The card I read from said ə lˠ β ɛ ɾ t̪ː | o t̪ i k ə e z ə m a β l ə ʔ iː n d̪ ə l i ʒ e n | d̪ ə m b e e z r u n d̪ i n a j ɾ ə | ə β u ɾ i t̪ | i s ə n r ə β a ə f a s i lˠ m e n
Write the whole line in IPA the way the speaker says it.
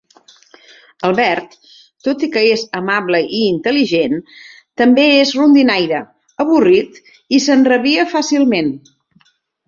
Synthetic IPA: ə lˠ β ɛ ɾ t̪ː | o t̪ i k ə e z ə m a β l ə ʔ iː n t̪ ə l i ʒ e n | t̪ ə m b e e z r u n d̪ i n a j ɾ ə | ə β u r i t̪ | i s ə n r ə β i ə f a s i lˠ m e n